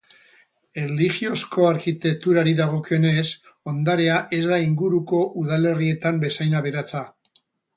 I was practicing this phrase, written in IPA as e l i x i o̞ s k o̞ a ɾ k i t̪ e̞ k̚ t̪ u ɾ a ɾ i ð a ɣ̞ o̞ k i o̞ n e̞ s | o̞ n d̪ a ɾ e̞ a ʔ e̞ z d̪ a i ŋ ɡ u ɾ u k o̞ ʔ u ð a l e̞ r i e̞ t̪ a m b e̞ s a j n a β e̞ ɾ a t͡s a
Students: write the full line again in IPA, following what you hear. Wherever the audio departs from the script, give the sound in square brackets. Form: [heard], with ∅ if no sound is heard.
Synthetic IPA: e l i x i o̞ s k o̞ a ɾ k i t̪ e̞ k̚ t̪ u ɾ a ɾ i ð a ɣ̞ o̞ k i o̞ n e̞ s | o̞ n d̪ a ɾ e̞ a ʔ e̞ z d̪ a i ŋ ɡ u ɾ u k o̞ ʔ u ð a l e̞ r i e̞ t̪ a m b e̞ s a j n a β e̞ ɾ a t͡s a